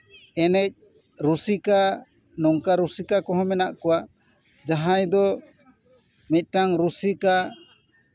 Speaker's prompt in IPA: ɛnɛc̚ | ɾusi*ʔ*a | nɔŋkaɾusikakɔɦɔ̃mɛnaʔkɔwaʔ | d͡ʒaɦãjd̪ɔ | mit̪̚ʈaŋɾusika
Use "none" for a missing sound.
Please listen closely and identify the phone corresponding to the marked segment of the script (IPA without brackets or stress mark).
k